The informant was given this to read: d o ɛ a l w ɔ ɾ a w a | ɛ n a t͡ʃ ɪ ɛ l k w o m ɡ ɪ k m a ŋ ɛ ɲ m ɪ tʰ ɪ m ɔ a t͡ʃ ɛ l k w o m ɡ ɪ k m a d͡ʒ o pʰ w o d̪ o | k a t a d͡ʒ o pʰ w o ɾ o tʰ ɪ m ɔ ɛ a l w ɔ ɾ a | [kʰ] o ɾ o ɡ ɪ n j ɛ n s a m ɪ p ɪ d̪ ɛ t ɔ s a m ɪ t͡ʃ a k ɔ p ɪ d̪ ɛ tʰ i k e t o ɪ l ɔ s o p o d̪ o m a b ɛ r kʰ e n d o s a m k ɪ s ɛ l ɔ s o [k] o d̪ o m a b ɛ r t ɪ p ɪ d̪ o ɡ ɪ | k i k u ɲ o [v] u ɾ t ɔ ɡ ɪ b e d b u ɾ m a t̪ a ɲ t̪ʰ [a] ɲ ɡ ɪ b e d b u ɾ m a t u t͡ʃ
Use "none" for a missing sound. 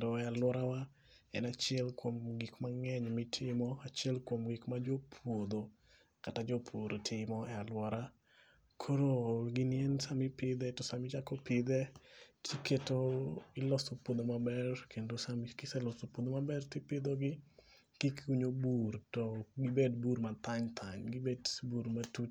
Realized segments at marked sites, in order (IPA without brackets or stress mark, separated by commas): kʰ, p, b, a